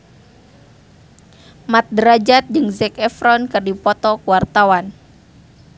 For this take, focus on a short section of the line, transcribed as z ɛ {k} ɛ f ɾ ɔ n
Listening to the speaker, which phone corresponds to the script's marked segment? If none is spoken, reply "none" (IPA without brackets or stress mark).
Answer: k